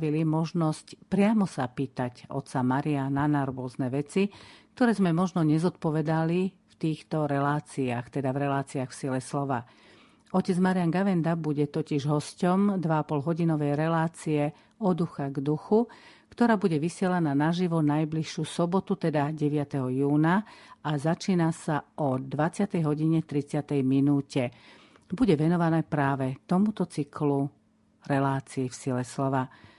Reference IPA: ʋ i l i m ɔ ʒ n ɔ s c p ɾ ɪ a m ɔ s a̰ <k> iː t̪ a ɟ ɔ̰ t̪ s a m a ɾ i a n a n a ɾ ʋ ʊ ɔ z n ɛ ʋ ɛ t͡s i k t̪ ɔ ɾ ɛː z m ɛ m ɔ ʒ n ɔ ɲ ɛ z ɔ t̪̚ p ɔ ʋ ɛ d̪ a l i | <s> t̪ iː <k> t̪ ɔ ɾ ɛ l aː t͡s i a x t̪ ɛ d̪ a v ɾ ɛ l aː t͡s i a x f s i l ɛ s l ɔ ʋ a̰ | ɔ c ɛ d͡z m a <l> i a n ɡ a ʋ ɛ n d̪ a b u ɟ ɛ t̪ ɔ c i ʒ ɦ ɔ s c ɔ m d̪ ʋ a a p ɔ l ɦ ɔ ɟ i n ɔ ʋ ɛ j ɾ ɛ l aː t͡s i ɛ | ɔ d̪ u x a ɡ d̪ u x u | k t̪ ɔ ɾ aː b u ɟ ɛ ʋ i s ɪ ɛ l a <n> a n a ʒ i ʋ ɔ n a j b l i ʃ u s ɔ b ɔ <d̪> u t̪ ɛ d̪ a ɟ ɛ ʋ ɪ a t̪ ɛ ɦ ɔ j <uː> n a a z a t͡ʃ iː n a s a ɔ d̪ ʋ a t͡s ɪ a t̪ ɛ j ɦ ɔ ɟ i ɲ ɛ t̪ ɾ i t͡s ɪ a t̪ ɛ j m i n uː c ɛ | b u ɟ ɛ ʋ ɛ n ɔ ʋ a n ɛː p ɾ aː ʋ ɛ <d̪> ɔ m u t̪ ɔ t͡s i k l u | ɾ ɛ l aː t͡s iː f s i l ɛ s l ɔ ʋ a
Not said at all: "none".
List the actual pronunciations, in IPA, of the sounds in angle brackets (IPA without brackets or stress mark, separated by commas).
p, f, x, ɾ, n, t̪, uː, t̪